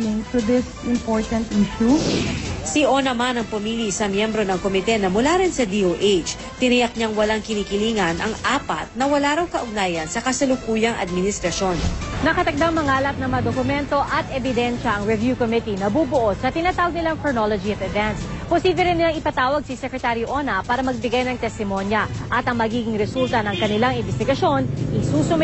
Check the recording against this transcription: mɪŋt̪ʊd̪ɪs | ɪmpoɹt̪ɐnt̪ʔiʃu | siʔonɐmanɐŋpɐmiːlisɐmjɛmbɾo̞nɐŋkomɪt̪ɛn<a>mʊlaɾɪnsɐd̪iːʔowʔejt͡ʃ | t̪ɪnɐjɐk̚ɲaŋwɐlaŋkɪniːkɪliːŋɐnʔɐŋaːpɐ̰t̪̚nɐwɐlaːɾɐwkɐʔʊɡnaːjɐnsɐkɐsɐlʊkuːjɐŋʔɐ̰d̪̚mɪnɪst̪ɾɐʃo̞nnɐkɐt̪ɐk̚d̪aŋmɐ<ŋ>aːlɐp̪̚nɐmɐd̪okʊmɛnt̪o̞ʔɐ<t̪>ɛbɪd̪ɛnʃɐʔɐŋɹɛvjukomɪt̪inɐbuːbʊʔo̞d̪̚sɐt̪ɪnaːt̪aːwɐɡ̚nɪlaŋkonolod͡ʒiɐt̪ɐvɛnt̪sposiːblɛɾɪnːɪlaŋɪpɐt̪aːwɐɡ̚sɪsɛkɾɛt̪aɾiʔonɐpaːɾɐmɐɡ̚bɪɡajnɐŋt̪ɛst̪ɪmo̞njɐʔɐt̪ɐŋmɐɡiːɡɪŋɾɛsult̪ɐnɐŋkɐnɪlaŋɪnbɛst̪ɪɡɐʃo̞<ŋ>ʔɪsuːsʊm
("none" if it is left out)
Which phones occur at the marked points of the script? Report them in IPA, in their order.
ɐ, ŋ, t̪, n

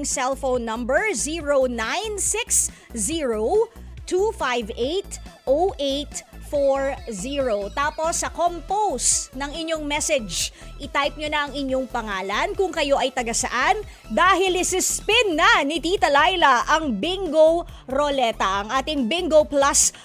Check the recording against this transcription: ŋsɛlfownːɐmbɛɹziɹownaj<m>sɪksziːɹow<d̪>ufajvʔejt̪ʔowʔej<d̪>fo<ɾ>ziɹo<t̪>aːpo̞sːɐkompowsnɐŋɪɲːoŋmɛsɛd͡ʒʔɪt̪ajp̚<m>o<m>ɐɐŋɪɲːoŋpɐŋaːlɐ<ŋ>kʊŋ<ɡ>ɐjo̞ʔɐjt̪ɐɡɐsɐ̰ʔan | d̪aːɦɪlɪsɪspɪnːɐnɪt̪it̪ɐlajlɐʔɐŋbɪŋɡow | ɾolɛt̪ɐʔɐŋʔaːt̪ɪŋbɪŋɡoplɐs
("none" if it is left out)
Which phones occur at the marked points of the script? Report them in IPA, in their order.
n, t̪, t̪, ɹ, t̪, ɲ, n, n, k

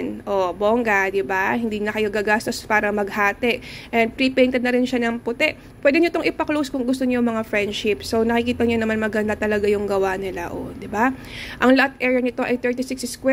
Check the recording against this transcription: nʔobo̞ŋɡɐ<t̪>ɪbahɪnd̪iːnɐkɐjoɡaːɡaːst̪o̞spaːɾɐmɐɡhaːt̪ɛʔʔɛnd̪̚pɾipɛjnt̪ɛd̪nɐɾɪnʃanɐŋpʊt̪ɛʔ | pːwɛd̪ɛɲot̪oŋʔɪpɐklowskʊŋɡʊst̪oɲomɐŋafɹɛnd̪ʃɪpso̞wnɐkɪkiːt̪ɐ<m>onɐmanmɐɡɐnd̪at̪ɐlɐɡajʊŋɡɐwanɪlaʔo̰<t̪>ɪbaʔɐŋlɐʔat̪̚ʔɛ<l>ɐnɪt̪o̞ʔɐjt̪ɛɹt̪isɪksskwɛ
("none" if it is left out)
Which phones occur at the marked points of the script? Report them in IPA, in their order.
d̪, ɲ, d̪, ɹ

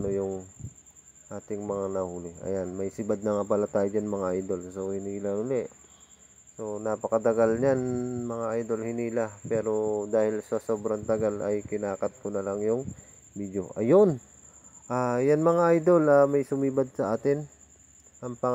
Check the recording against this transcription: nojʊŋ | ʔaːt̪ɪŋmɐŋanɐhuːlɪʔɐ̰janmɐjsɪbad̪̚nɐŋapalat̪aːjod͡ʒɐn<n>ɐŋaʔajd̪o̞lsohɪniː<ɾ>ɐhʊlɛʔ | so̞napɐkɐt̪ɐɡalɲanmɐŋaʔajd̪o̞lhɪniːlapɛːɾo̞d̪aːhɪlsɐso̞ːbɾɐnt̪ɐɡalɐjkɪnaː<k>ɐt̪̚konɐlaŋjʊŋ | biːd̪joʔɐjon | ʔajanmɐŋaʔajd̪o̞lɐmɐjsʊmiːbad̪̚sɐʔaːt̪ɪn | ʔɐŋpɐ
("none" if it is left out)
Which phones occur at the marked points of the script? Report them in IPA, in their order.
m, l, k

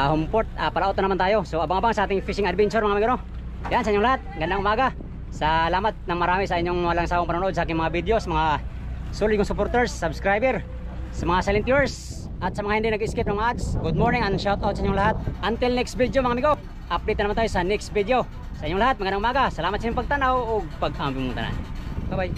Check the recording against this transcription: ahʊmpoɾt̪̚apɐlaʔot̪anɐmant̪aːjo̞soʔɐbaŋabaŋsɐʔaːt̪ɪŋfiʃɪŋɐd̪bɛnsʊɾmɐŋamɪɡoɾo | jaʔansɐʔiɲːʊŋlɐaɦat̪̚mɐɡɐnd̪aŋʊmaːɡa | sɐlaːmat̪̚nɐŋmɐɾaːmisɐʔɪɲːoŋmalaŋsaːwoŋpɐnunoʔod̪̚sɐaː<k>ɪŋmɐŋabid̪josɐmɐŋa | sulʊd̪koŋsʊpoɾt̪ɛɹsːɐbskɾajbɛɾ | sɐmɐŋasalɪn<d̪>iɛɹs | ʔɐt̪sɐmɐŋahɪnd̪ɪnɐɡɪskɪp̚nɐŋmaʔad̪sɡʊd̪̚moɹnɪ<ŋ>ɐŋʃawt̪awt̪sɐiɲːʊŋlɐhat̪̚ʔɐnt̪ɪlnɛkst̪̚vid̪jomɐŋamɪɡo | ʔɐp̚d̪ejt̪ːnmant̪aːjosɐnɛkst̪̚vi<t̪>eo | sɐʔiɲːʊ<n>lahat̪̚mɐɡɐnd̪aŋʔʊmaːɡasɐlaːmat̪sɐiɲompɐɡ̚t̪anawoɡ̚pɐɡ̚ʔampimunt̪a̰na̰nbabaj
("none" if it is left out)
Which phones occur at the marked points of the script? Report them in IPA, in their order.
k, t̪, ŋ, d̪, ŋ

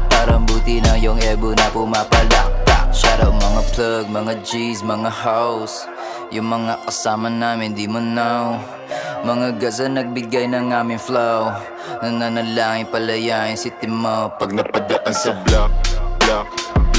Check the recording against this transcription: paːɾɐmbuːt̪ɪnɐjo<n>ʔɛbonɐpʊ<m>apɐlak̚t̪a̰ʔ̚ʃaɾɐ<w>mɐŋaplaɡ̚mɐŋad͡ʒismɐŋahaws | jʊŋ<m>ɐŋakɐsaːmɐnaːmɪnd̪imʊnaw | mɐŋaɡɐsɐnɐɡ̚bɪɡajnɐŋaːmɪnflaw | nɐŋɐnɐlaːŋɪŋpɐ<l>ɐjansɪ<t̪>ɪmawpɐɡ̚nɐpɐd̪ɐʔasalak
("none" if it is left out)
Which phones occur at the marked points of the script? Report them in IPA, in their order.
ŋ, m, w, m, l, t̪

